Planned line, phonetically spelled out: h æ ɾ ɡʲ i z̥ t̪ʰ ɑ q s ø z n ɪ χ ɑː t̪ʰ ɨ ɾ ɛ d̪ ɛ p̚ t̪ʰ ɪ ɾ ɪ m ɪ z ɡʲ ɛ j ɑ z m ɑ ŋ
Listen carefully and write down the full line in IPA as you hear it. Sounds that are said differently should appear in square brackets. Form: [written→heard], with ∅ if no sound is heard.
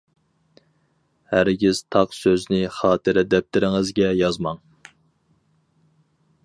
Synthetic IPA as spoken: h æ ɾ ɡʲ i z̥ t̪ʰ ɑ q s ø z n ɪ χ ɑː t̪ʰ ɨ ɾ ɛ d̪ ɛ p̚ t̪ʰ ɪ ɾ ɪ [m→ŋ] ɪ z ɡʲ ɛ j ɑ z m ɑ ŋ